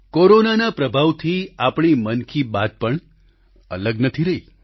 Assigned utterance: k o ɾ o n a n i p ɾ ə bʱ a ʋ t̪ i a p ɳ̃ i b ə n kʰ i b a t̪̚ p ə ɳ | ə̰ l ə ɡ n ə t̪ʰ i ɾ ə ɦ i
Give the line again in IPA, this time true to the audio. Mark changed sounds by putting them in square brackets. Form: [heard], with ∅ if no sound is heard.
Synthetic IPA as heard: k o ɾ o n a n [a] p ɾ ə bʱ a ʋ [t̪ʰ] i a p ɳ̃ i [m] ə n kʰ i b a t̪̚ p ə ɳ | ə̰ l ə ɡ n ə t̪ʰ i ɾ ə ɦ i